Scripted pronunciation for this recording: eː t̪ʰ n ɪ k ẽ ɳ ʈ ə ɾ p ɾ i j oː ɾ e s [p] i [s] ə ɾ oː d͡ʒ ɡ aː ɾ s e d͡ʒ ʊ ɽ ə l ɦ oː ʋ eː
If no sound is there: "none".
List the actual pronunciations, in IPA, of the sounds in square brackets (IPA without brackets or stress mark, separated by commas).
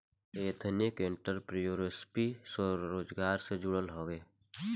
p, s